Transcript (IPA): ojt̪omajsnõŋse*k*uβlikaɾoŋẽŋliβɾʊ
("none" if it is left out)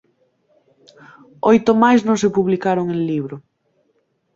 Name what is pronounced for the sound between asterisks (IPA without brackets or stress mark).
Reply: p